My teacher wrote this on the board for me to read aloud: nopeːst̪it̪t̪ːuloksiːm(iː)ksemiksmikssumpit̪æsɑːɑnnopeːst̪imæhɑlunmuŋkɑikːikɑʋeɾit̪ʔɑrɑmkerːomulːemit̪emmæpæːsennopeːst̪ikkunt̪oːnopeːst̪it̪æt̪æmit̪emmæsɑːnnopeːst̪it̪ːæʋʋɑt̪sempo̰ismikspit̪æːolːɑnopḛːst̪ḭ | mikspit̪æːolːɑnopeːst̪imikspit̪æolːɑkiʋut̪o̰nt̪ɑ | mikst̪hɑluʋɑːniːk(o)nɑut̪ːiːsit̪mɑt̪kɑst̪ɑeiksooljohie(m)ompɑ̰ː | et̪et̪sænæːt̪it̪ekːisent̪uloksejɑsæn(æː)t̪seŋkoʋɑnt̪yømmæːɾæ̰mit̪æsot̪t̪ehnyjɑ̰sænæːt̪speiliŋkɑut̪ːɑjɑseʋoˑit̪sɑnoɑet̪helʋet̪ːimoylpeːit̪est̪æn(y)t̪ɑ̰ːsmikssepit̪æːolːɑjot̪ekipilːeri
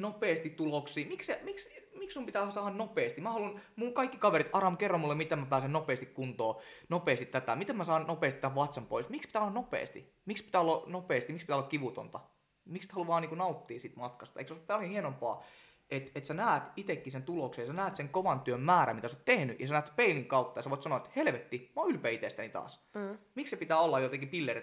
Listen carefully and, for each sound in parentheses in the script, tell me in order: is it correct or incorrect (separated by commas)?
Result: incorrect, incorrect, incorrect, correct, incorrect